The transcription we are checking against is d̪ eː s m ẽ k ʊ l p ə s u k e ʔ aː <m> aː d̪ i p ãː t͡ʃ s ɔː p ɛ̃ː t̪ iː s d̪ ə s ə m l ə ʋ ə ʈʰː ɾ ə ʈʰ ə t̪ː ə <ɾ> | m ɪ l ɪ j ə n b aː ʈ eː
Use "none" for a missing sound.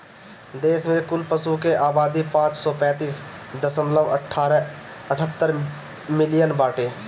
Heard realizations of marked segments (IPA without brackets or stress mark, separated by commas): b, ɾ